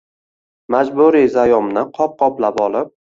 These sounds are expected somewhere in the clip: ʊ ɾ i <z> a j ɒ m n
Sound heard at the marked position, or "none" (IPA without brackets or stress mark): z